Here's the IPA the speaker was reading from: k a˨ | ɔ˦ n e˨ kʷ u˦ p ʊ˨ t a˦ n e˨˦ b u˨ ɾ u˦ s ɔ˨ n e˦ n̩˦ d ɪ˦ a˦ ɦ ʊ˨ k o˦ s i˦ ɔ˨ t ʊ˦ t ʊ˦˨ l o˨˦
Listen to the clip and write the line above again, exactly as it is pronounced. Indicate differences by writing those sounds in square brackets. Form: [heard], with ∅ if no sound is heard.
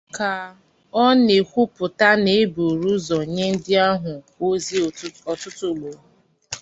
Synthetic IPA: k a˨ | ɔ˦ n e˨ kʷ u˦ p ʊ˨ t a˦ n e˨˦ b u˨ ɾ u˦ [z] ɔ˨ [ɲ] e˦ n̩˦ d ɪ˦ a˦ ɦ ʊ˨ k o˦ [z] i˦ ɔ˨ t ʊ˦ t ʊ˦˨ l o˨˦